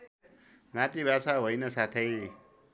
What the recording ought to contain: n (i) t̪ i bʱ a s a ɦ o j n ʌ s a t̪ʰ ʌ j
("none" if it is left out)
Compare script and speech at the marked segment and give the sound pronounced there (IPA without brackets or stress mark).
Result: a